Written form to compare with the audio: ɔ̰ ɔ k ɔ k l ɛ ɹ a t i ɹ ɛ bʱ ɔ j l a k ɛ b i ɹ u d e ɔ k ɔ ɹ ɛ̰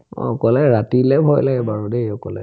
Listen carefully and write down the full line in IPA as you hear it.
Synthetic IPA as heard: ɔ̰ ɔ k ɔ l ɛ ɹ a t i l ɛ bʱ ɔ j l a ɡ ɛ b a ɹ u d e ɔ k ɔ l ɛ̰